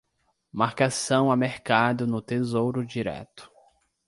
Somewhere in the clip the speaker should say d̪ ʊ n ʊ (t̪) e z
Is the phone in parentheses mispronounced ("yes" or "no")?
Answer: no